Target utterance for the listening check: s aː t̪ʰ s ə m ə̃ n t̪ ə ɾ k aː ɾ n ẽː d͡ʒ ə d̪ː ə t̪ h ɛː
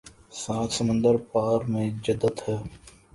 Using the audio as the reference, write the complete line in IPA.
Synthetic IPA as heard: s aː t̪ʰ s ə m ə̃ n d̪ ə ɾ p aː ɾ m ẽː d͡ʒ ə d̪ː ə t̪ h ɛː